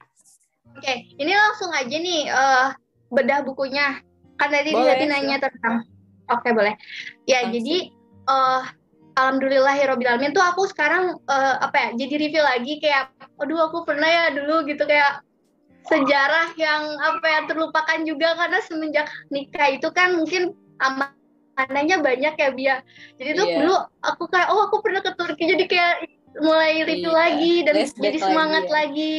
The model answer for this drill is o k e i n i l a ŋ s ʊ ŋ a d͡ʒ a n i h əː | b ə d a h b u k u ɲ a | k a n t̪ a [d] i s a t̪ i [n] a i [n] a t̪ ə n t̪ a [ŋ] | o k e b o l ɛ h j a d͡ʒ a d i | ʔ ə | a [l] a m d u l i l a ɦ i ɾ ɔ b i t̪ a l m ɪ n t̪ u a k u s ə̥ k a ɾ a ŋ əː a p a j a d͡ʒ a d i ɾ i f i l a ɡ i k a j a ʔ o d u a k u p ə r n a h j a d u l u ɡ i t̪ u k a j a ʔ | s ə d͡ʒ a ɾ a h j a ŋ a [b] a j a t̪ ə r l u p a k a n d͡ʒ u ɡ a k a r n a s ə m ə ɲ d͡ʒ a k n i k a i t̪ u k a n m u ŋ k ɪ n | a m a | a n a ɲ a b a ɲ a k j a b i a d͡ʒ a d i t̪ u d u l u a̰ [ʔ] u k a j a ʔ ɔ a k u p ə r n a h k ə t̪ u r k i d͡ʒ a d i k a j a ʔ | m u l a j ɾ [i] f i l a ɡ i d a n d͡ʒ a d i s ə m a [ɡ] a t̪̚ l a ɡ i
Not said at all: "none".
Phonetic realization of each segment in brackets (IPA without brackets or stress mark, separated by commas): d, n, ɲ, ŋ, l, p, k, i, ŋ